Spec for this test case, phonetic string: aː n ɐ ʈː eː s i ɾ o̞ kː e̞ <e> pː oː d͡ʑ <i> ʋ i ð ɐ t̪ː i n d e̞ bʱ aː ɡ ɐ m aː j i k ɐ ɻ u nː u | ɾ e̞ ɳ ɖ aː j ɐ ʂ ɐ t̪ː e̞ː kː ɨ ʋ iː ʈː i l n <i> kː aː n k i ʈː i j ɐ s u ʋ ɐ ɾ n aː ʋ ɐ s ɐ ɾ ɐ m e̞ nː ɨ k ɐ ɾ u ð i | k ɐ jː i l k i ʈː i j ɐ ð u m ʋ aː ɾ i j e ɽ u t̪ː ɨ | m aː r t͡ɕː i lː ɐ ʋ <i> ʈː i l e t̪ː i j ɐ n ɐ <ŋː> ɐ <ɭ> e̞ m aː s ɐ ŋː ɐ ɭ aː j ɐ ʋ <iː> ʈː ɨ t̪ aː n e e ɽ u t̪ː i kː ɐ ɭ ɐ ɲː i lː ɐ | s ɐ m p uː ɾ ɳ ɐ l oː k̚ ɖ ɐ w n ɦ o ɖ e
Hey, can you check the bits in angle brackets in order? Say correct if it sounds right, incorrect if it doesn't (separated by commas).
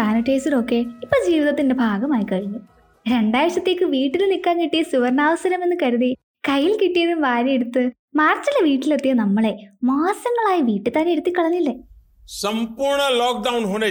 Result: incorrect, incorrect, correct, incorrect, incorrect, correct, correct